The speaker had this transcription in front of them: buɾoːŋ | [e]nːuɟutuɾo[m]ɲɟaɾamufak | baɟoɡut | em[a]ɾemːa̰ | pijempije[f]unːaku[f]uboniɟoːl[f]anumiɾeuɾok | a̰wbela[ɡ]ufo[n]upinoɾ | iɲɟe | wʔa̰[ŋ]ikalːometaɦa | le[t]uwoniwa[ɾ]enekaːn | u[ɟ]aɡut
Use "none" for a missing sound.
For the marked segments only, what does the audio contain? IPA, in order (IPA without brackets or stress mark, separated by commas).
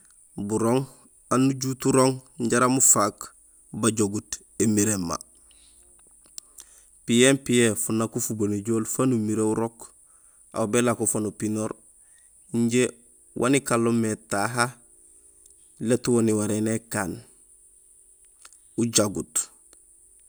a, ŋ, i, f, f, f, k, n, n, t, ɾ, ɟ